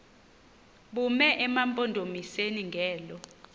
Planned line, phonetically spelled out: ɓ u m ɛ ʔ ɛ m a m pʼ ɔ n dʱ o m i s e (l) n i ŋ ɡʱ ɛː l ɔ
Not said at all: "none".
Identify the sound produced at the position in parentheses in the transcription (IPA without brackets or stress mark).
none